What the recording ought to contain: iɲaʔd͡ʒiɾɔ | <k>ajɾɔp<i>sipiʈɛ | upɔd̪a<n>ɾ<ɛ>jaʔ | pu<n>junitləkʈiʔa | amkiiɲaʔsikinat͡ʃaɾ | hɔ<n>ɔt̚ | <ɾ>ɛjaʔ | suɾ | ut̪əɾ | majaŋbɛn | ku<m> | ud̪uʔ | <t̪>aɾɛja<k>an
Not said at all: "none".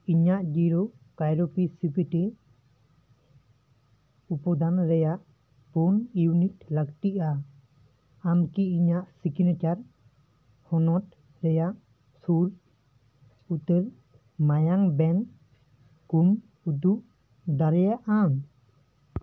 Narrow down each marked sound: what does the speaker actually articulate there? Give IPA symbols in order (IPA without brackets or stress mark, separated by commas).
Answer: k, i, n, ɛ, n, n, ɾ, m, d̪, ʔ